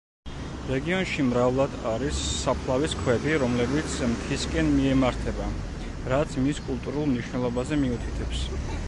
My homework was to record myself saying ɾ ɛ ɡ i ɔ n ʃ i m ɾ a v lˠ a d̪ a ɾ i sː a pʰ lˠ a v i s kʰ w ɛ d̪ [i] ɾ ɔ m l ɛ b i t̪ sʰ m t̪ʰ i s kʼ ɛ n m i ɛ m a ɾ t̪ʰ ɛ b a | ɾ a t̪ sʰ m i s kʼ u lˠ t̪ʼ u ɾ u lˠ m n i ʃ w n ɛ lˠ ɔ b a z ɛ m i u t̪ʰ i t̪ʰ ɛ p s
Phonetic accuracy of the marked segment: correct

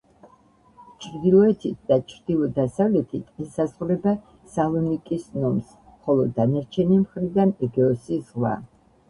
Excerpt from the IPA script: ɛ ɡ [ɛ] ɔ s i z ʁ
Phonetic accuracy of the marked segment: correct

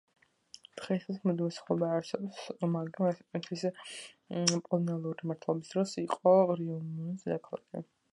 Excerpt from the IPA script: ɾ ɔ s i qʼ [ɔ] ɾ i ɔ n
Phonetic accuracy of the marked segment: correct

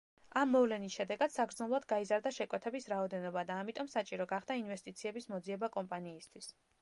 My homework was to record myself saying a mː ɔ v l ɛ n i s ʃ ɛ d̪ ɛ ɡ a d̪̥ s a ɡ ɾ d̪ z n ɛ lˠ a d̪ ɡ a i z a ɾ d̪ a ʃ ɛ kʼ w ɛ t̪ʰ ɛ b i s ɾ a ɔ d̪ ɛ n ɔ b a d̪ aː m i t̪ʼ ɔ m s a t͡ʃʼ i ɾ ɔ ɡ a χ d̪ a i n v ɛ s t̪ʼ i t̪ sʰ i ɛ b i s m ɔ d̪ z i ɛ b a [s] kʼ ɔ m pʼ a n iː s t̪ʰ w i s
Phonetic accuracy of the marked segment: incorrect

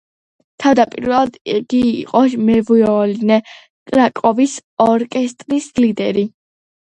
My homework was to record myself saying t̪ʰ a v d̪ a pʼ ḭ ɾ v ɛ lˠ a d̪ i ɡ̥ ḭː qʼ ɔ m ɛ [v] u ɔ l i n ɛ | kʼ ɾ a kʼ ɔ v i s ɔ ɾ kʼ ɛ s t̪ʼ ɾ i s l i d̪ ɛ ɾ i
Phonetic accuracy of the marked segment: correct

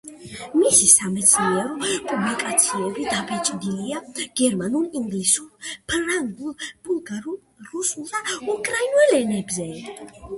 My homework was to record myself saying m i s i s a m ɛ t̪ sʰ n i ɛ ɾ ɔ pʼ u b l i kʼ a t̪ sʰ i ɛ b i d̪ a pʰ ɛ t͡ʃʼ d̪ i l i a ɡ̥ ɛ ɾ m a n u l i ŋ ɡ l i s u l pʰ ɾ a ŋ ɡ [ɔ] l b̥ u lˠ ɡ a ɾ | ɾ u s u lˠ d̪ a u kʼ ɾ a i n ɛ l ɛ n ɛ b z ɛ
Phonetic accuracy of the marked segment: incorrect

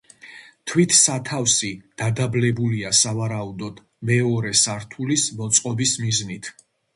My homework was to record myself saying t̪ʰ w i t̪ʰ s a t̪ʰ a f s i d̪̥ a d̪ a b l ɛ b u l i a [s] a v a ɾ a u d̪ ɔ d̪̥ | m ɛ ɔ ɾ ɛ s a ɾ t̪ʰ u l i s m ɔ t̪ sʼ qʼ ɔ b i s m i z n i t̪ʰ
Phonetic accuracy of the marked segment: correct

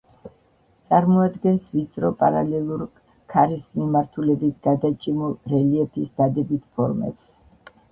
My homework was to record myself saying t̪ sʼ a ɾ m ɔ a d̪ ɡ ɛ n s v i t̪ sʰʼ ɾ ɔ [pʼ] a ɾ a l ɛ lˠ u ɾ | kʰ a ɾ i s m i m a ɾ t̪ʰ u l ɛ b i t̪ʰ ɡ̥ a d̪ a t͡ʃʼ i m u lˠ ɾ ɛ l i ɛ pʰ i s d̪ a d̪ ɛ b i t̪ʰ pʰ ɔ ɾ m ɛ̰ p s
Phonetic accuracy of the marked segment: correct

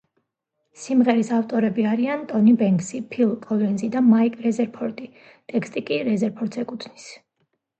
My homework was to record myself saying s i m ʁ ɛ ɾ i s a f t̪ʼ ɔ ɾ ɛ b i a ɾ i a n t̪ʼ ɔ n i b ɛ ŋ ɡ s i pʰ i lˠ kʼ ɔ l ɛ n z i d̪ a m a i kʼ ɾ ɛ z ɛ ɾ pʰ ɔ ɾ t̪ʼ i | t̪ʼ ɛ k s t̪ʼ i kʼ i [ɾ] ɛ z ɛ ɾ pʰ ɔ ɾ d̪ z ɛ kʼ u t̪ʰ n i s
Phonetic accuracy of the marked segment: correct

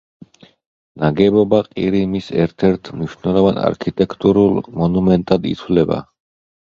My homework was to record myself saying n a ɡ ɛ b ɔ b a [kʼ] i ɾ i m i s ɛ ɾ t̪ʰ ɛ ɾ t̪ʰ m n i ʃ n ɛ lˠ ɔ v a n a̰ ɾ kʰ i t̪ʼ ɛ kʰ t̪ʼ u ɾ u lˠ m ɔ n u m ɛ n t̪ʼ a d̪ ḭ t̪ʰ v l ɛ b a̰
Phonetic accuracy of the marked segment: incorrect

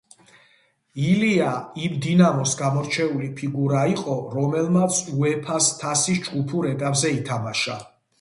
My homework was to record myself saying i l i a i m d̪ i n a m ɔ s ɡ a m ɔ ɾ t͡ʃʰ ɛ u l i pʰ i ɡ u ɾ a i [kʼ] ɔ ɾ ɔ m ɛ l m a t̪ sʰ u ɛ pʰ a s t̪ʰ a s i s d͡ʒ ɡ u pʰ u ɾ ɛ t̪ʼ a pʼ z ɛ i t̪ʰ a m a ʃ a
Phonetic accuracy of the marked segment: incorrect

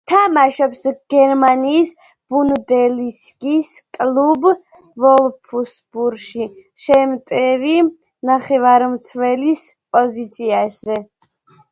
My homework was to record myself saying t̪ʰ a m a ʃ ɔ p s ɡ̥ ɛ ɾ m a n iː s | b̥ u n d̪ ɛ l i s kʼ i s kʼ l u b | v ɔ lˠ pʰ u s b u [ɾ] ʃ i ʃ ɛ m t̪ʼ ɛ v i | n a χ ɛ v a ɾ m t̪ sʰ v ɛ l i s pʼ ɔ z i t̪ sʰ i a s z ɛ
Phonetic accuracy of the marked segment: correct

